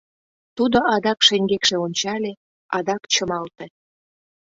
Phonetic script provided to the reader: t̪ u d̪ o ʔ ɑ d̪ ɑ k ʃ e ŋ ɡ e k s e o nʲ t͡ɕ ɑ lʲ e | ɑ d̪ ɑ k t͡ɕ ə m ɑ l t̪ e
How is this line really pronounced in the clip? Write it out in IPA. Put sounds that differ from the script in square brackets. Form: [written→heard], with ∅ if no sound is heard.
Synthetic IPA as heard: t̪ u d̪ o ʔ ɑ d̪ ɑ k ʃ e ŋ ɡ e k [s→ʃ] e o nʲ t͡ɕ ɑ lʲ e | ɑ d̪ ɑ k t͡ɕ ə m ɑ l t̪ e

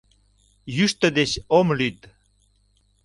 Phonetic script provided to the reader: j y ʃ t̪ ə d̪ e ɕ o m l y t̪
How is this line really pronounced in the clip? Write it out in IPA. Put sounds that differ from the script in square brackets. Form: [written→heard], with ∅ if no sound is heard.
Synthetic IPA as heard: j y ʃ t̪ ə d̪ e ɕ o m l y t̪

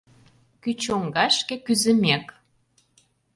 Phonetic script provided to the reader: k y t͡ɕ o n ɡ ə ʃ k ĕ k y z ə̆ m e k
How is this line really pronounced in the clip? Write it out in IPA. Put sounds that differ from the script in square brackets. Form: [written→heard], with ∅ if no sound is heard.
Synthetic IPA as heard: k y t͡ɕ o [n→ŋ] ɡ [ə→ɑ] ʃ k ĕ k y z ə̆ m e k

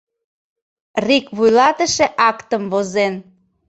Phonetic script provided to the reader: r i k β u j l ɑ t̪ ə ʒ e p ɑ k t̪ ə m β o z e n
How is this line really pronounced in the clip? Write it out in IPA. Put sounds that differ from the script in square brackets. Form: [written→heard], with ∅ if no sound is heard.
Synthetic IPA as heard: r i k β u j l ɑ t̪ ə [ʒ→ʃ] e [p→ʔ] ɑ k t̪ ə m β o z e n

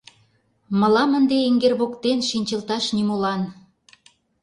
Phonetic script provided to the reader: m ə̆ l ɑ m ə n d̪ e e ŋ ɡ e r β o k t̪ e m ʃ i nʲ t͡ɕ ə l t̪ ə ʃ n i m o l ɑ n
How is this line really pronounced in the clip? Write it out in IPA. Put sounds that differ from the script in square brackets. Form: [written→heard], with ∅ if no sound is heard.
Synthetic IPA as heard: m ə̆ l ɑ m ə n d̪ e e ŋ ɡ e r β o k t̪ e [m→n] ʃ i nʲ t͡ɕ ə l t̪ [ə→ɑ] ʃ n i m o l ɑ n

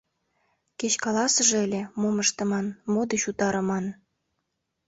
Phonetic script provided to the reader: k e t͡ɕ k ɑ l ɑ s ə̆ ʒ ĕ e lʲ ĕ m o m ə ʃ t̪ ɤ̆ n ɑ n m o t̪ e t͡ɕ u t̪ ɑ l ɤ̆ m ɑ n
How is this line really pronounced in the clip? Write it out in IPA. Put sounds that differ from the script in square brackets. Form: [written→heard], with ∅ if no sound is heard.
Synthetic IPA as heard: k e t͡ɕ k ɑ l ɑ s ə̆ ʒ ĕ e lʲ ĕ m o m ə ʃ t̪ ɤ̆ [n→m] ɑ n m o [t̪→d̪] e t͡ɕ u t̪ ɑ [l→ɾ] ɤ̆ m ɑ n

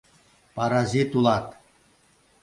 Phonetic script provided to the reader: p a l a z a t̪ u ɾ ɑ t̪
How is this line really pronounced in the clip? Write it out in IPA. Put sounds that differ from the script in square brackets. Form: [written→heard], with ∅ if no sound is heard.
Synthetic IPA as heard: p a [l→ɾ] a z [a→i] t̪ u [ɾ→l] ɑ t̪

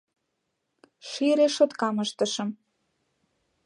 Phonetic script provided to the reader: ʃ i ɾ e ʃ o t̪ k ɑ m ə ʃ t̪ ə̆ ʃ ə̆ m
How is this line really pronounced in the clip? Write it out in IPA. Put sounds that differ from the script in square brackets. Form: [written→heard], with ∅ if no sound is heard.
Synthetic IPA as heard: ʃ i ɾ e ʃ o t̪ k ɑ m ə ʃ t̪ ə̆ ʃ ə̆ m

